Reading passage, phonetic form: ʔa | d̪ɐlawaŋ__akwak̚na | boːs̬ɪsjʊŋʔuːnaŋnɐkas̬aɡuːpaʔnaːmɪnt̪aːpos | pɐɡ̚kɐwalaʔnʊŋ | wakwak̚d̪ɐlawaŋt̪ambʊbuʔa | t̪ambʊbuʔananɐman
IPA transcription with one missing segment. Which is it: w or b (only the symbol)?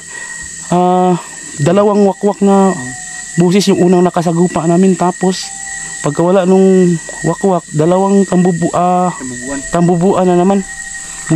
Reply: w